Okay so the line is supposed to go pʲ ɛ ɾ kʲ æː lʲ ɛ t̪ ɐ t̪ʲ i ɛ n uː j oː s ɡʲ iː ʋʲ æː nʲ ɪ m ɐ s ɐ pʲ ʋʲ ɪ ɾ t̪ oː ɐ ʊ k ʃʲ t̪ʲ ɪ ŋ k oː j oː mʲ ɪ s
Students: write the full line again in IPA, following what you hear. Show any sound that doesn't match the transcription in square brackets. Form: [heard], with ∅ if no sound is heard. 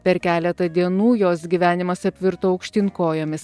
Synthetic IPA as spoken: pʲ ɛ ɾ kʲ æː lʲ ɛ t̪ ɐ [d̪ʲ] i ɛ n uː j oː s ɡʲ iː ʋʲ æː nʲ ɪ m ɐ s ɐ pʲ ʋʲ ɪ ɾ t̪ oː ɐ ʊ k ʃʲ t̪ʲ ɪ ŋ k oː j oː mʲ ɪ s